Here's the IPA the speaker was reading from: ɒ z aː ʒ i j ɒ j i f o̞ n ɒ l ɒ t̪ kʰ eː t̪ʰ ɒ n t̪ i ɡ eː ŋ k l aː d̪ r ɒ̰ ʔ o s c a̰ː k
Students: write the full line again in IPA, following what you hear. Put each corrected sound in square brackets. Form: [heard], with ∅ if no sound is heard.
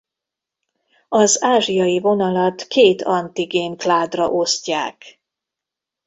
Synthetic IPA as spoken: ɒ z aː ʒ i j ɒ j i [v] o̞ n ɒ l ɒ t̪ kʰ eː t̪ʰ ɒ n t̪ i ɡ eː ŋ k l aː d̪ r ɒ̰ ʔ o s c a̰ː k